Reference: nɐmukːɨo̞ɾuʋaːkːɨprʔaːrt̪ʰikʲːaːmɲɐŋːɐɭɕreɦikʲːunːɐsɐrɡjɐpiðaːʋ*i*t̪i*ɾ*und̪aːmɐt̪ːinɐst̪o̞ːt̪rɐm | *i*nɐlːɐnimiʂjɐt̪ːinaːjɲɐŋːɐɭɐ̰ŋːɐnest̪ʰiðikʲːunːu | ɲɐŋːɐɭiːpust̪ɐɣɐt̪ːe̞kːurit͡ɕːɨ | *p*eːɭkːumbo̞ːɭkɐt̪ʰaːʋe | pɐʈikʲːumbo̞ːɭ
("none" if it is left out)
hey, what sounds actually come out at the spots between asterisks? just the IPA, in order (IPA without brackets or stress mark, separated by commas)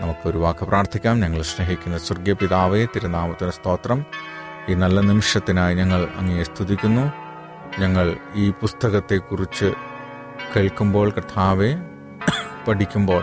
e, ɾ, iː, k